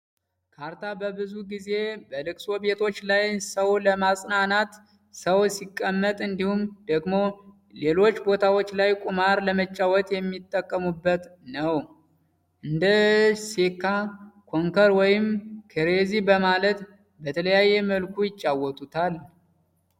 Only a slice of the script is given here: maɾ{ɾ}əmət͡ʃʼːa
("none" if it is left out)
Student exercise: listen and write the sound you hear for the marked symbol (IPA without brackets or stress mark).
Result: l